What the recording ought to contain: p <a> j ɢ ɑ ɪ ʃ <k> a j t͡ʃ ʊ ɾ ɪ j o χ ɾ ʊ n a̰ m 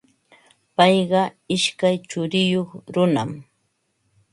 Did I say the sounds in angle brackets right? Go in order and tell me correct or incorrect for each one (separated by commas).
incorrect, correct